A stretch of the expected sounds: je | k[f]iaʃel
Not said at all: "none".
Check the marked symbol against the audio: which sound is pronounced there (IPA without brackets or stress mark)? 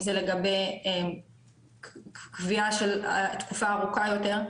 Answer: v